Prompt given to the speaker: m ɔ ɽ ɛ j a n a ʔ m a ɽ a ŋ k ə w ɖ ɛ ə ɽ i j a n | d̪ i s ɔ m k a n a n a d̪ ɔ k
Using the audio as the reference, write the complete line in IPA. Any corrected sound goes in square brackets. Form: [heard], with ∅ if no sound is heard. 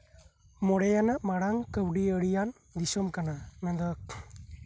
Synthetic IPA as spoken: m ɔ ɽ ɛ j a n a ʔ m a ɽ a ŋ k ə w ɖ [i] ə ɽ i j a n | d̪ i s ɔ m k a n a n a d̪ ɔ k